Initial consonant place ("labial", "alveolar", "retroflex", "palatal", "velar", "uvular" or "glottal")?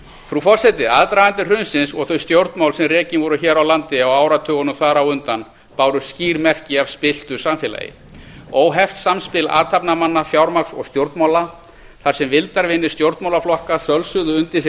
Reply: labial